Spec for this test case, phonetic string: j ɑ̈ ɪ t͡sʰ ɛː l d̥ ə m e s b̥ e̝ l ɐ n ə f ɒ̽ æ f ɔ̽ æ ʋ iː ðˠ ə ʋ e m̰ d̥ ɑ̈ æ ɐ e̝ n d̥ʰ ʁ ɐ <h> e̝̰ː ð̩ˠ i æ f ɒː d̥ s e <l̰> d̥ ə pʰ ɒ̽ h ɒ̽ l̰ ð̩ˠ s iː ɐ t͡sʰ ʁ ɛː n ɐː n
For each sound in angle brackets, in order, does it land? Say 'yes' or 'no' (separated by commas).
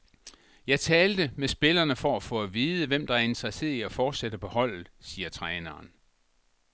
no, no